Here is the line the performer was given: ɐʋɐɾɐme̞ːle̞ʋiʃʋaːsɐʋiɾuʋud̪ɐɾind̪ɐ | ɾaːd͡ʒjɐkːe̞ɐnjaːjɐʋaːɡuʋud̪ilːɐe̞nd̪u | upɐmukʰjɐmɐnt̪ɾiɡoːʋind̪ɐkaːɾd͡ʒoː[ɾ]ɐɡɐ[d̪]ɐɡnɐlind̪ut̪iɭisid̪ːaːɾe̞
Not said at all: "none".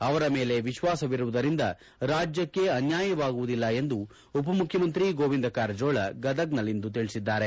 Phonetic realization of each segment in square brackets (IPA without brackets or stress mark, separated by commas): ɭ, d̪